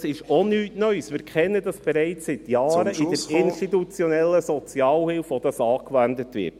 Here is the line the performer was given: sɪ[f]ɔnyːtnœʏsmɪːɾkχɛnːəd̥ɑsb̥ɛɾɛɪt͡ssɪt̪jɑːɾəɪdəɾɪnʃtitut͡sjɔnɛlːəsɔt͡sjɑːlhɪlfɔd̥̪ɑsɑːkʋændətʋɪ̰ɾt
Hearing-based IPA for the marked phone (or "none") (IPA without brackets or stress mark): ʃ